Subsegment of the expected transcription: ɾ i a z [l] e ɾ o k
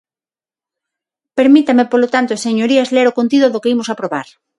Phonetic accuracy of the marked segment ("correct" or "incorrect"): correct